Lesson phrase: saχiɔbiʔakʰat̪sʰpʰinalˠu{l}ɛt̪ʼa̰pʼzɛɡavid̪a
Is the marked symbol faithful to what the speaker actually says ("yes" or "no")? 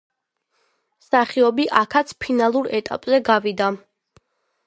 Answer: no